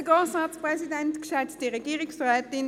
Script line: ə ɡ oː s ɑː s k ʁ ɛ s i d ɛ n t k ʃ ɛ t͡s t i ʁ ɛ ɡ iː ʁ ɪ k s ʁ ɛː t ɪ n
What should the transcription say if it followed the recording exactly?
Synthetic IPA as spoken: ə ɡ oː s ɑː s p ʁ ɛ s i d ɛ n t k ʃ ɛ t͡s t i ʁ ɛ ɡ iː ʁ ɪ k s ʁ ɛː t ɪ n